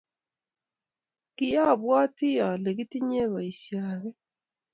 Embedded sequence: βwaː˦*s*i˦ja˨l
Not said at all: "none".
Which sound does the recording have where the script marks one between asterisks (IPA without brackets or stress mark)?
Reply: t